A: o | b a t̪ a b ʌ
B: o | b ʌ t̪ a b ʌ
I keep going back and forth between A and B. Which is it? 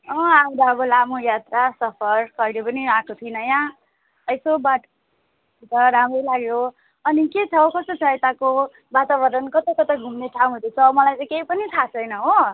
A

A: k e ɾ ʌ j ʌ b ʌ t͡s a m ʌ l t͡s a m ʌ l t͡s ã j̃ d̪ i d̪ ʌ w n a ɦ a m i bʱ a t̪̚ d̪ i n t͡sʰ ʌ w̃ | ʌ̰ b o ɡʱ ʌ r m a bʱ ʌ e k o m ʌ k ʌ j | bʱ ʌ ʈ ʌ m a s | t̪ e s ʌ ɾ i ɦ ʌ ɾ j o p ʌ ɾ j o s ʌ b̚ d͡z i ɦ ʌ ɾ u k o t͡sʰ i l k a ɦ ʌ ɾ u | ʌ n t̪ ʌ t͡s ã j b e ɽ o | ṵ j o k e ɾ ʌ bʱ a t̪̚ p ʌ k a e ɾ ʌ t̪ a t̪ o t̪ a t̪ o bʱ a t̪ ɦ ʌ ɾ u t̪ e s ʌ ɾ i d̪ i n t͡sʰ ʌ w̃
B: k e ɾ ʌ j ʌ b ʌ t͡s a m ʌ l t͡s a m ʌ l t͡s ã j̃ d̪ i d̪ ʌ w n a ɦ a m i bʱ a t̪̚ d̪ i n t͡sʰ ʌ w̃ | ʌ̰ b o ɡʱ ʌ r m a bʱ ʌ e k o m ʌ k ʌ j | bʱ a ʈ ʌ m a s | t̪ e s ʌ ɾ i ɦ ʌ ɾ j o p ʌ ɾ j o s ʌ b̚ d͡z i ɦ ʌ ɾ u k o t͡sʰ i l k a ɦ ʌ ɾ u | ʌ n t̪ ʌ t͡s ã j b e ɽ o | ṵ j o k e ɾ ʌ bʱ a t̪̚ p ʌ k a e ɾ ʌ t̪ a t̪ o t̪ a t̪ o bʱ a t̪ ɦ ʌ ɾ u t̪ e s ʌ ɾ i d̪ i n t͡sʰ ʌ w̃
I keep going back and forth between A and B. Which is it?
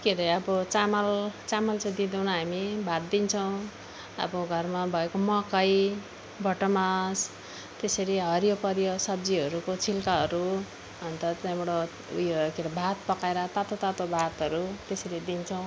A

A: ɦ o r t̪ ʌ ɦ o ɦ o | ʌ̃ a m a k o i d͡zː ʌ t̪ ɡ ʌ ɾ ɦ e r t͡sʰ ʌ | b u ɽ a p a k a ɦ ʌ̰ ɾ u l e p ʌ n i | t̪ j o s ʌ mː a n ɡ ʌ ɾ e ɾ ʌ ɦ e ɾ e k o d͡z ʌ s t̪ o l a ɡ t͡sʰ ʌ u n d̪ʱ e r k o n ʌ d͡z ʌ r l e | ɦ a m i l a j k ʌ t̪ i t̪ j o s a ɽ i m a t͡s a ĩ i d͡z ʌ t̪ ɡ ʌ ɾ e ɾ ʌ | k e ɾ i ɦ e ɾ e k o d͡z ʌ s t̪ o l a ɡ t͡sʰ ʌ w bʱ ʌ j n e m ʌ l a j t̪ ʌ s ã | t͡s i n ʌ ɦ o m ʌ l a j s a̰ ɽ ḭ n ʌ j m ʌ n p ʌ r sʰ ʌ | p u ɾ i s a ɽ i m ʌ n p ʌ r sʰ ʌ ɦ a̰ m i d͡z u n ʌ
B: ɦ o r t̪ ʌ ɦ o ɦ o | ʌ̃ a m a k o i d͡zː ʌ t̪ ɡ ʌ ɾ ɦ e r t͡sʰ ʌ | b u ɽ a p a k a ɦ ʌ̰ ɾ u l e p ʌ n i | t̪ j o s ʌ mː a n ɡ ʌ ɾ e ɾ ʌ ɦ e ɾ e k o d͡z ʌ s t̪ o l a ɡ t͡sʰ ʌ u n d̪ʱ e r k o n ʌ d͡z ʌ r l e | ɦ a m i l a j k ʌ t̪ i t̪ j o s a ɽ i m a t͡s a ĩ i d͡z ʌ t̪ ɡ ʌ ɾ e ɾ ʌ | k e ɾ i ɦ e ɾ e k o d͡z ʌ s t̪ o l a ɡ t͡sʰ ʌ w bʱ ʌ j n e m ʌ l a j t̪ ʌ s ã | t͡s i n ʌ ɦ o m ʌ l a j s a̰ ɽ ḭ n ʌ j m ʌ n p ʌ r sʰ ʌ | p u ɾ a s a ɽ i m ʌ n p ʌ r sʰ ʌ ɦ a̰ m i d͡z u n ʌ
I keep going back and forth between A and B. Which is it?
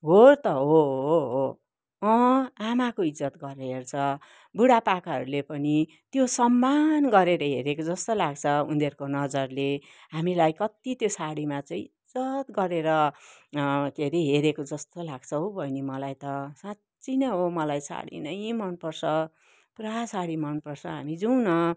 B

